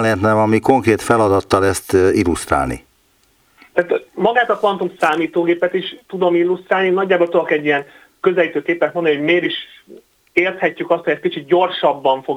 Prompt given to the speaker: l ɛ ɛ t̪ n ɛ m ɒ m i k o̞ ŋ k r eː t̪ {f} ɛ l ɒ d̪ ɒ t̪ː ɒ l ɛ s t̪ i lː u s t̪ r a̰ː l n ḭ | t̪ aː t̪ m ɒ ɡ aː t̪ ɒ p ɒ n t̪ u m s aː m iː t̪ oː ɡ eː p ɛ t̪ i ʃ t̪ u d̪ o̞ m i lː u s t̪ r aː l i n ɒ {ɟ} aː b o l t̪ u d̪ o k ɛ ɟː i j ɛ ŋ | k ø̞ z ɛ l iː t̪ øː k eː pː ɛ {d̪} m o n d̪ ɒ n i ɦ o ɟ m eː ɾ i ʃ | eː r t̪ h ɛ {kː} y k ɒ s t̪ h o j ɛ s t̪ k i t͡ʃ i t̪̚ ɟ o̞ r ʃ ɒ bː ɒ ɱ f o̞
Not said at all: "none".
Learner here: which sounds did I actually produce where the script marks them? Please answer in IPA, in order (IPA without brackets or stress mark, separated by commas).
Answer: f, ɟː, t̪, cː